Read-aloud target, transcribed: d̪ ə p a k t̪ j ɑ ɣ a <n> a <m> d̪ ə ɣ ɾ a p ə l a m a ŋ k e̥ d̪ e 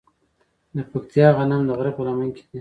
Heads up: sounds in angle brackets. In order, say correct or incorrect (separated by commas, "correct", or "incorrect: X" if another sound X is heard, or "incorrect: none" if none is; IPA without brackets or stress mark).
correct, correct